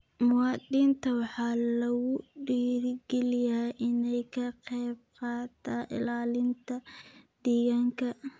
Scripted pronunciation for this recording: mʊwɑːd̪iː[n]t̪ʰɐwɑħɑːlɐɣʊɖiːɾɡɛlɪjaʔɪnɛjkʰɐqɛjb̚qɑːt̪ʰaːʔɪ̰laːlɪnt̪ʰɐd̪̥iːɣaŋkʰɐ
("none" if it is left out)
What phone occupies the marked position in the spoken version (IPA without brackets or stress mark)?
n